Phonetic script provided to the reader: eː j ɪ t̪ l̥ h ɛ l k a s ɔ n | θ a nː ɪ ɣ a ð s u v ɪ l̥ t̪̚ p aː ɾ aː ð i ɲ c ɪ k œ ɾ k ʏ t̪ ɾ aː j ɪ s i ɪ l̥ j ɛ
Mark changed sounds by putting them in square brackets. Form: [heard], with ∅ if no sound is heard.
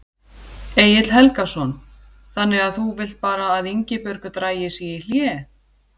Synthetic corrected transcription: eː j ɪ t̪ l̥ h ɛ l k a s ɔ n | θ a nː ɪ ɣ a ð [θ] u v ɪ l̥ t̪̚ p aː ɾ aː ð i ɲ c ɪ [p] œ ɾ k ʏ t̪ ɾ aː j ɪ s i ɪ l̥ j ɛ